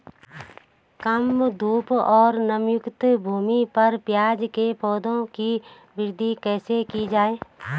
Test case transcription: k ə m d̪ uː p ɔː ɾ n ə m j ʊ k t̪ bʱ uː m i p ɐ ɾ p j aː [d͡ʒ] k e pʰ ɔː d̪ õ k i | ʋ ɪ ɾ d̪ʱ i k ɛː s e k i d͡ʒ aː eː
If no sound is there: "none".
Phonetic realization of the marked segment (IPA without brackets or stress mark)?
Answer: d͡ʒ